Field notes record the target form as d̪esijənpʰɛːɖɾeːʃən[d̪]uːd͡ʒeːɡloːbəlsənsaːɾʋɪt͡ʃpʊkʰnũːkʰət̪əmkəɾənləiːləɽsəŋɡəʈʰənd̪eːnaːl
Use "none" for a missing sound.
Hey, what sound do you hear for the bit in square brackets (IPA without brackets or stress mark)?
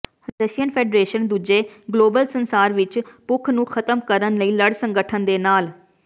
d̪